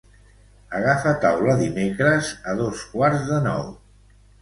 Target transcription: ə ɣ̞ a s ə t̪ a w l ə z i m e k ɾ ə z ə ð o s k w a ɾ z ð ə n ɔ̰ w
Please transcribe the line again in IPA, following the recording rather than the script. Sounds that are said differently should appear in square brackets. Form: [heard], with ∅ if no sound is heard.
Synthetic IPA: ə ɣ̞ a [f] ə t̪ a w l ə [ð] i m e k ɾ ə z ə ð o s k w a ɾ z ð ə n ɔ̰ w